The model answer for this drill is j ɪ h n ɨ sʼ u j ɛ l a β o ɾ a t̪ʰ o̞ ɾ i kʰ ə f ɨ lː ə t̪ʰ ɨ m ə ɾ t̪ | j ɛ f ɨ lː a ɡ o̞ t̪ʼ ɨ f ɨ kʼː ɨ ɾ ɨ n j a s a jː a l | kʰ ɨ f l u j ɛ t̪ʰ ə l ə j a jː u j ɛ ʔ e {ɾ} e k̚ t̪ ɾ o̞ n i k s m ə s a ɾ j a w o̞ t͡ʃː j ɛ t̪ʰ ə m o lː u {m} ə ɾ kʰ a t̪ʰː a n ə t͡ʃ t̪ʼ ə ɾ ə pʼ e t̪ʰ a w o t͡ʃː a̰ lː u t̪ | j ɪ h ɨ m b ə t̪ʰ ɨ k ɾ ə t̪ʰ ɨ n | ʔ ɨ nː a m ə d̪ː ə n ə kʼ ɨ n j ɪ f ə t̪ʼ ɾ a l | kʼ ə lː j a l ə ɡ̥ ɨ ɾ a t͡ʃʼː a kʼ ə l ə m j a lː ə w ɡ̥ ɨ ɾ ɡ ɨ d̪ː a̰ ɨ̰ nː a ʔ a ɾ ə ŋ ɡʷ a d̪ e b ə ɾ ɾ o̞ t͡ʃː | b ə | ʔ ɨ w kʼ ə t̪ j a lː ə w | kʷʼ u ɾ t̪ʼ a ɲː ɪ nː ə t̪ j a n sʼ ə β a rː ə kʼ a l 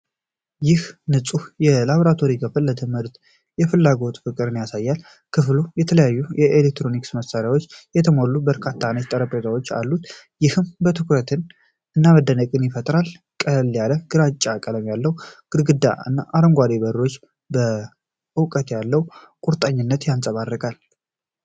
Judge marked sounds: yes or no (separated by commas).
no, no